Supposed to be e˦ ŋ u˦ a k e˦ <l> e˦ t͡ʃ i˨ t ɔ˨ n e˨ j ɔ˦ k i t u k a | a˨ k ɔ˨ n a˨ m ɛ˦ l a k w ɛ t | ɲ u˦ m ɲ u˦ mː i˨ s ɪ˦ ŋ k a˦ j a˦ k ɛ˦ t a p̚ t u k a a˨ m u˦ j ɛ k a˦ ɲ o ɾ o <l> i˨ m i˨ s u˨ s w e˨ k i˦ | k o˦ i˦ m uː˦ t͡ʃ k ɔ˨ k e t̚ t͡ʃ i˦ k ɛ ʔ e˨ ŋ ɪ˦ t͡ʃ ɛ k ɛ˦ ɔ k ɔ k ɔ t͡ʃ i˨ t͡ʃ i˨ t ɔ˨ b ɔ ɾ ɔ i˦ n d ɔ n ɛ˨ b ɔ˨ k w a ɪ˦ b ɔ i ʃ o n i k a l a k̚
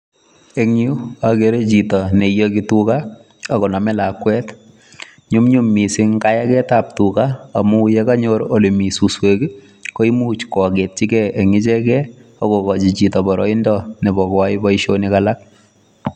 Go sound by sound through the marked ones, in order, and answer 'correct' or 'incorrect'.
incorrect: ɾ, correct

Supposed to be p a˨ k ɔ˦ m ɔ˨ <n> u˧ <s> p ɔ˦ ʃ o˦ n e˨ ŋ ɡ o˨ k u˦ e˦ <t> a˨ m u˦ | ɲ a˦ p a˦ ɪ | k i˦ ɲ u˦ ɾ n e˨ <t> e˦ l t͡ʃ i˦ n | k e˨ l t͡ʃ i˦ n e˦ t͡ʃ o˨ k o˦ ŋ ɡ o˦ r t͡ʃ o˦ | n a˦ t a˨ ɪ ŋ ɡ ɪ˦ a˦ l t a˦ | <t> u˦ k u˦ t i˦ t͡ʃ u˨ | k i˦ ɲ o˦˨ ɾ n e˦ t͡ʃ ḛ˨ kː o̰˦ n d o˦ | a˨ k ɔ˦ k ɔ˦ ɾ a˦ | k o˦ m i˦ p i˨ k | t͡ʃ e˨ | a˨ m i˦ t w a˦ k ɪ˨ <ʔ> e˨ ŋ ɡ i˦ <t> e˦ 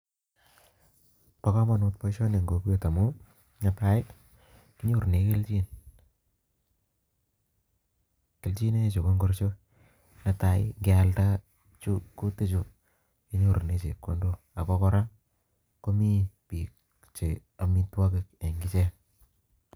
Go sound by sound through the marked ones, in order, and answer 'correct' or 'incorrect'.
correct, incorrect: t, correct, incorrect: k, incorrect: t͡ʃ, incorrect: k, incorrect: t͡ʃ

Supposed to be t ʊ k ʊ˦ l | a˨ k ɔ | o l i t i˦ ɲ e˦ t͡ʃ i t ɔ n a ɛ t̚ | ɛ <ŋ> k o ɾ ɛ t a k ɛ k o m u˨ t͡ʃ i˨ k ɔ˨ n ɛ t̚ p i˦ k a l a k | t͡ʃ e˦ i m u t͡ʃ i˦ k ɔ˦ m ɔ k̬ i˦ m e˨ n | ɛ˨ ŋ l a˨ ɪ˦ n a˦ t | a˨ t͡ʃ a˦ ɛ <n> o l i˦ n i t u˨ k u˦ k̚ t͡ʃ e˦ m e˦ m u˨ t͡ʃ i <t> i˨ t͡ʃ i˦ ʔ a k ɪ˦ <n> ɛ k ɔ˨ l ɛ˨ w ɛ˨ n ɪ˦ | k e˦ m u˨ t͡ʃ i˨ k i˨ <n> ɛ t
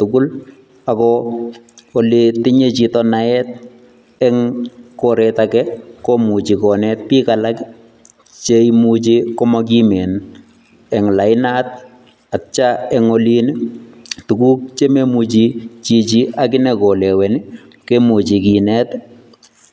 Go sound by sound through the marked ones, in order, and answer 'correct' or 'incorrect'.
correct, incorrect: ŋ, incorrect: t͡ʃ, correct, correct

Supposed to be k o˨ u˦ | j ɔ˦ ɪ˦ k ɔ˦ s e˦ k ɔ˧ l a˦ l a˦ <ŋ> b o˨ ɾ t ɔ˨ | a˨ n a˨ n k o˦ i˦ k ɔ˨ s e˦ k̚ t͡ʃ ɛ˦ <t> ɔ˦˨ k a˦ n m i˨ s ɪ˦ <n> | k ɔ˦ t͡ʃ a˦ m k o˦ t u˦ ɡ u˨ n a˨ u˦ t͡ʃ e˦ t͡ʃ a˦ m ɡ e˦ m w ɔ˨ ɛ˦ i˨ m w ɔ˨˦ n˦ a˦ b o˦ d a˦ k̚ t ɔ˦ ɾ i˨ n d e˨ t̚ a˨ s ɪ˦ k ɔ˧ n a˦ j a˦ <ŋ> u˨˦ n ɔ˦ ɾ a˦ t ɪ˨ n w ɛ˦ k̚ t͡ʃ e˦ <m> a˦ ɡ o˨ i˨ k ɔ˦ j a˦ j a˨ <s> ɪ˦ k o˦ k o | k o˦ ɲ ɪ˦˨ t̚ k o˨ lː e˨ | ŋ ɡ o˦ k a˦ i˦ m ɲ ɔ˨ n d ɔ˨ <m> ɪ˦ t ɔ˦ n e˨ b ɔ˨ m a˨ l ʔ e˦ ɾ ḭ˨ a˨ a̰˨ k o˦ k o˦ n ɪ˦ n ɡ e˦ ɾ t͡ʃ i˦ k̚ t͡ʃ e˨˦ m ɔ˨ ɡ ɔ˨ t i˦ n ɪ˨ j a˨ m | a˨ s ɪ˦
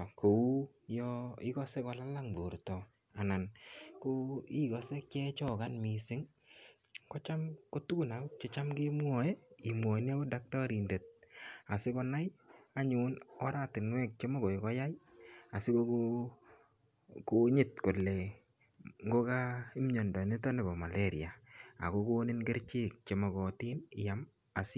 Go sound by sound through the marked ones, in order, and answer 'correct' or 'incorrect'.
correct, incorrect: t͡ʃ, incorrect: ŋ, incorrect: ɲ, correct, correct, incorrect: n

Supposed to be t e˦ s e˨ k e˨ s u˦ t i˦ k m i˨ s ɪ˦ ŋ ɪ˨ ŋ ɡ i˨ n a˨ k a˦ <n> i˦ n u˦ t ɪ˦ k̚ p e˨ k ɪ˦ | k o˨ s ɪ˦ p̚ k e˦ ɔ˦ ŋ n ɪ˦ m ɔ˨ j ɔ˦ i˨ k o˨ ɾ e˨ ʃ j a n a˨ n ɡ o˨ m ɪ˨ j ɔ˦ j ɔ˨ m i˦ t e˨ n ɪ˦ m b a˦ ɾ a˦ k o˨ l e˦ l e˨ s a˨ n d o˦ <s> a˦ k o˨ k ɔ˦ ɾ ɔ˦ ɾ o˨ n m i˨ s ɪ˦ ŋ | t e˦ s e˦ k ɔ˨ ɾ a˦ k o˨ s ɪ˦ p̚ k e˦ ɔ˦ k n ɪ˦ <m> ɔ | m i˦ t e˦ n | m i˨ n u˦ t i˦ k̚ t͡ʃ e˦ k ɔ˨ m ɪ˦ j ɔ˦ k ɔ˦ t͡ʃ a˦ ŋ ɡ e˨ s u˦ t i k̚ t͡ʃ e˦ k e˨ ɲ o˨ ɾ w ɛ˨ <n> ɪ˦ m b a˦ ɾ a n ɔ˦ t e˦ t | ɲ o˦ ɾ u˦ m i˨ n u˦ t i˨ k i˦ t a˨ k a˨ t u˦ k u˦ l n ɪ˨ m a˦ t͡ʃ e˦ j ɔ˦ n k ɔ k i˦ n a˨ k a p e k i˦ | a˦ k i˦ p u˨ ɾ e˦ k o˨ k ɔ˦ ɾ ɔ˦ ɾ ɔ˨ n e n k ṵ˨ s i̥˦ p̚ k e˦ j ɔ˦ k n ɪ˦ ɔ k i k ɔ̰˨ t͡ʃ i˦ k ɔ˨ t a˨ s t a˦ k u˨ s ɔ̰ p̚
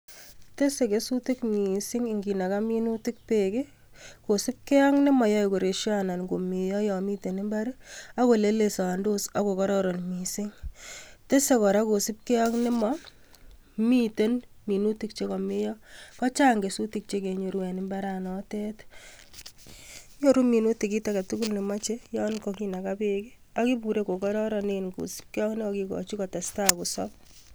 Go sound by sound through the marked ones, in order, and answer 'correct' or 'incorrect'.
incorrect: m, correct, correct, correct

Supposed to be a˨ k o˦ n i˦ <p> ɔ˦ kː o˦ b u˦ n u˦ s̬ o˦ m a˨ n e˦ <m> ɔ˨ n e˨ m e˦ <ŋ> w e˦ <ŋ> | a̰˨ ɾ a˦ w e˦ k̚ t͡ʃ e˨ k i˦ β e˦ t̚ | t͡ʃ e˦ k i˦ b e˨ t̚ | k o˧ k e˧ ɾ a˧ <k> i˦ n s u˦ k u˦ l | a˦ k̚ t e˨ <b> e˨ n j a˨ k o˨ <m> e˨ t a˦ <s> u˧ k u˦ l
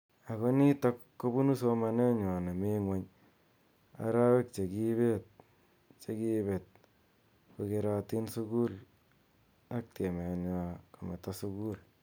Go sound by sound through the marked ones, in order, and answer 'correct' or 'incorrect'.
incorrect: t, incorrect: ɲ, correct, incorrect: ɲ, incorrect: t, incorrect: m, correct, correct

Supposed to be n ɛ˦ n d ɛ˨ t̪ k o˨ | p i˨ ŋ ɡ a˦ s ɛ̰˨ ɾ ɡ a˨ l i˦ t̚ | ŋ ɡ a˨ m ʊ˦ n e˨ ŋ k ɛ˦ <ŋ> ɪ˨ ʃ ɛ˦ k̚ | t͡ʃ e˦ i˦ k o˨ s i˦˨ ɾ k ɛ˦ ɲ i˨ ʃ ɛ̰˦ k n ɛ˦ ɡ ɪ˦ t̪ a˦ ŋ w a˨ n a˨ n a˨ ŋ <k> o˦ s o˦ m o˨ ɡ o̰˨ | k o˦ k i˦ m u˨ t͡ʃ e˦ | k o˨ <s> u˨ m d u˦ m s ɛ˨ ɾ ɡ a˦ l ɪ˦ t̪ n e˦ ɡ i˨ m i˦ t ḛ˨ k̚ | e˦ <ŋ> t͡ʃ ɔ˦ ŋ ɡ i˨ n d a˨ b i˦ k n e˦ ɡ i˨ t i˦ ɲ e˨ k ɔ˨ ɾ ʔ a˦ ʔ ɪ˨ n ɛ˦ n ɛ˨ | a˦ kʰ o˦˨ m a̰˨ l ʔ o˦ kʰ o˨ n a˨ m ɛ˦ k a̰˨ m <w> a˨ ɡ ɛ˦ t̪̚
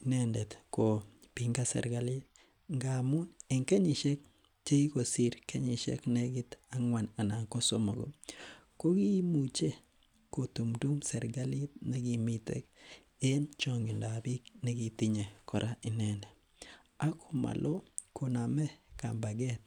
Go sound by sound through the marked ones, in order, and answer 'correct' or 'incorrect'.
incorrect: ɲ, correct, incorrect: t, incorrect: n, incorrect: b

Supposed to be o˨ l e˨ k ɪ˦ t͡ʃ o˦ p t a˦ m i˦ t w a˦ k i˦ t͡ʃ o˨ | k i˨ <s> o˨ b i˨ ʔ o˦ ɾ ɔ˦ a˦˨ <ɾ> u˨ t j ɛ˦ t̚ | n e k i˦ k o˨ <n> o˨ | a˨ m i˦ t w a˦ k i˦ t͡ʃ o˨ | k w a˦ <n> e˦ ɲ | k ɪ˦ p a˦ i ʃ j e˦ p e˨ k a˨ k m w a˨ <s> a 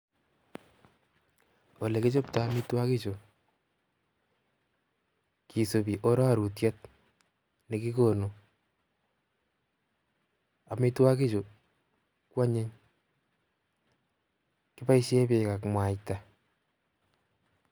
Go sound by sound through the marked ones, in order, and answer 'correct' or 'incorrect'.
correct, correct, correct, incorrect: ɲ, incorrect: t

